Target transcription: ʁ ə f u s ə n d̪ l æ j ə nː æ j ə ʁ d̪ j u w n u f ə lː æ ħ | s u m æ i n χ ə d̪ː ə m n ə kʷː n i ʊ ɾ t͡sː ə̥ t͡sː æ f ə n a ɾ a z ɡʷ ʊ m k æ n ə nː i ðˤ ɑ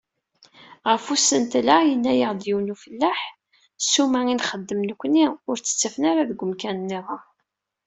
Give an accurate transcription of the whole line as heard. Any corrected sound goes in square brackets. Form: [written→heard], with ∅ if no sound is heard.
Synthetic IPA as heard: ʁ ə f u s ə n [d̪→t̪] l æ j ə nː æ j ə ʁ d̪ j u w n u f ə lː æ ħ | s u m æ i n χ ə d̪ː ə m n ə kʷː n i ʊ ɾ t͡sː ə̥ t͡sː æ f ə n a ɾ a [z→ð] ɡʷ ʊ m k æ n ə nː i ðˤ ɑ